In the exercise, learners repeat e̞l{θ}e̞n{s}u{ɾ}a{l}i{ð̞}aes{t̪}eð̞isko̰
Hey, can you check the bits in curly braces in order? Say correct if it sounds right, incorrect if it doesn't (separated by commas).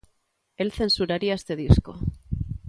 correct, correct, correct, incorrect, incorrect, correct